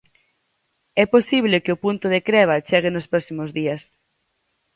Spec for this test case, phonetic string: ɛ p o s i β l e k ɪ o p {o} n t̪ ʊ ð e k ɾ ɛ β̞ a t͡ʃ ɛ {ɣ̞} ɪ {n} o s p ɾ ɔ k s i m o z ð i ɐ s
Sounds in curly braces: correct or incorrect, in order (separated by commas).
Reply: incorrect, correct, correct